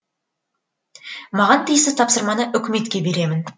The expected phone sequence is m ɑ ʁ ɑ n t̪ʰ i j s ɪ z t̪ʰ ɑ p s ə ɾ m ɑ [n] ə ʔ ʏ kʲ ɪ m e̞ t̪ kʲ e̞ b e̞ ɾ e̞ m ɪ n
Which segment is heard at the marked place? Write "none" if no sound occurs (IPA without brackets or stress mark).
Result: n